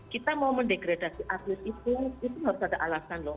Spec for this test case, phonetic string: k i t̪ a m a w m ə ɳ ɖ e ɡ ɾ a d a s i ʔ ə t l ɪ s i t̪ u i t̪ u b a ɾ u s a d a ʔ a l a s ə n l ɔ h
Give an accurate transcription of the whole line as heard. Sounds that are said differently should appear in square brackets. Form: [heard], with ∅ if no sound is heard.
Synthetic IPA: k i t̪ a m a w m ə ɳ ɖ e ɡ ɾ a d a s i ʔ [a] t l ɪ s i t̪ u i t̪ u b a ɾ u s a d a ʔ a l a s [a] n l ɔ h